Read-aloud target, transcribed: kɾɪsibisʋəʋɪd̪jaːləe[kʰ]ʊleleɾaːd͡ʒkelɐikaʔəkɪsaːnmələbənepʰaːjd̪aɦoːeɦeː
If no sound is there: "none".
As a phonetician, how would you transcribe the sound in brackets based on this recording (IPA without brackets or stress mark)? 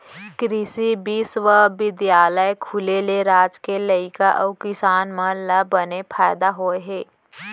kʰ